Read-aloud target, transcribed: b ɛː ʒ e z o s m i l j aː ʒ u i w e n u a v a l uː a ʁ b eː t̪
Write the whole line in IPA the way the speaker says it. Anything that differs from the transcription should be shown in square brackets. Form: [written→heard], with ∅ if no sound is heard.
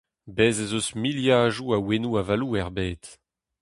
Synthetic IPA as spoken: b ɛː [ʒ→z] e z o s m i l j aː ʒ u [i→a] w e n u a v a l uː [a→ɛ] ʁ b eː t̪